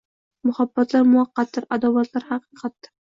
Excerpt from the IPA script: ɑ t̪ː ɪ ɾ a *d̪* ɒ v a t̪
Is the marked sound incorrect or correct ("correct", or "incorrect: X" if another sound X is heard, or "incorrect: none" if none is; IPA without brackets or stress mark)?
correct